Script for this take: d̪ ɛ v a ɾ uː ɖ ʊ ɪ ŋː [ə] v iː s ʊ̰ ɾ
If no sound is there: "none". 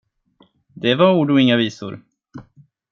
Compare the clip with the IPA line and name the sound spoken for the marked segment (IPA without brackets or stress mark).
a